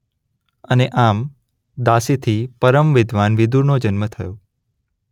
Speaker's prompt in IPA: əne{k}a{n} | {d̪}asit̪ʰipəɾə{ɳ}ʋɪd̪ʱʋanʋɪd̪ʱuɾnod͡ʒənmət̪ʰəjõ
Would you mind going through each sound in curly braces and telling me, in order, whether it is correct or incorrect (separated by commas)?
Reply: incorrect, incorrect, correct, incorrect